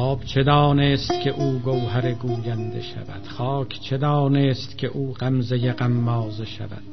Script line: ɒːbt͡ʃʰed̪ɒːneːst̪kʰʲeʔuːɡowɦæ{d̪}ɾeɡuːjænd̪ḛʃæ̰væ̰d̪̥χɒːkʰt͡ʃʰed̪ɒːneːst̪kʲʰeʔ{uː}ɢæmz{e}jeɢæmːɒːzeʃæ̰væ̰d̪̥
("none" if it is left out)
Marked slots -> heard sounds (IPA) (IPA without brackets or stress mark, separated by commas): none, uː, e